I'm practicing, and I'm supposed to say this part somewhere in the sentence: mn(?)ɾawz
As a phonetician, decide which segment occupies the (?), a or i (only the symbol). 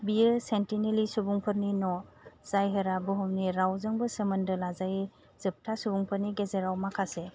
i